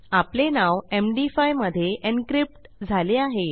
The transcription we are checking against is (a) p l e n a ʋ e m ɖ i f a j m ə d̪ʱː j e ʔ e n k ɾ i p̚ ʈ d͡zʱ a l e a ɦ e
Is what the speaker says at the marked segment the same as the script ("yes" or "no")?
yes